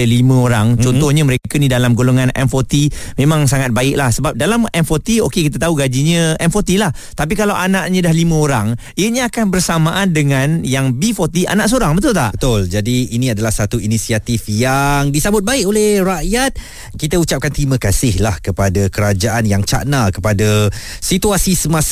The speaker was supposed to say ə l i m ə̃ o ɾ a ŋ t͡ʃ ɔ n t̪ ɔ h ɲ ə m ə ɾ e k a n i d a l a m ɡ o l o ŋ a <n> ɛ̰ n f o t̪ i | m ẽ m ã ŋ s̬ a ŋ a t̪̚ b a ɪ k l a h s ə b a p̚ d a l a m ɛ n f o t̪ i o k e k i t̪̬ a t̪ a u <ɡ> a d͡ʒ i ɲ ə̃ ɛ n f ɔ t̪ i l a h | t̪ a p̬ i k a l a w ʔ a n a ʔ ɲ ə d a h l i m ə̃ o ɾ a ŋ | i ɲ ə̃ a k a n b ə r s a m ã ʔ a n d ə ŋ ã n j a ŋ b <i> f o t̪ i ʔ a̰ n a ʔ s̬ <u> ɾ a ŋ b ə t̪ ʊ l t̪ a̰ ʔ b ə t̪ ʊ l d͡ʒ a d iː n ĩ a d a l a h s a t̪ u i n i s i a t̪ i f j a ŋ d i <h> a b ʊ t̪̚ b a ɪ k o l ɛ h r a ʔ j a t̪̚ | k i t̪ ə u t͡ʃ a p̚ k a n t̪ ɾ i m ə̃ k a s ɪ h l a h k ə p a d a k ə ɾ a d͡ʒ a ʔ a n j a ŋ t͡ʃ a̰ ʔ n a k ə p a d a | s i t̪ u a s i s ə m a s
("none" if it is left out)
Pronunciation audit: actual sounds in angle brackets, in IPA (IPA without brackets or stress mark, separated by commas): n, ɡ, i, o, s